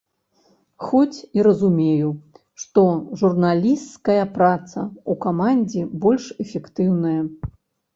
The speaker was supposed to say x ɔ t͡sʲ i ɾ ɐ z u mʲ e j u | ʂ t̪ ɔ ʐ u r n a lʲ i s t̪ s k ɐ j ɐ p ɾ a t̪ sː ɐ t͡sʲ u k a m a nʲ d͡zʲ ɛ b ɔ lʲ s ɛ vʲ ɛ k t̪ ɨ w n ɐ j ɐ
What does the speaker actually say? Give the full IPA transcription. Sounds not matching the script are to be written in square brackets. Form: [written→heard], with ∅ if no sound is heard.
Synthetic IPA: x ɔ t͡sʲ i ɾ ɐ z u mʲ e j u | ʂ t̪ ɔ ʐ u r n a lʲ i s t̪ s k ɐ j ɐ p ɾ a t̪ [sː→s] ɐ [t͡sʲ→∅] u k a m a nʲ d͡zʲ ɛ b ɔ lʲ [s→ʂ] ɛ [vʲ→fʲ] ɛ k t̪ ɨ w n ɐ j ɐ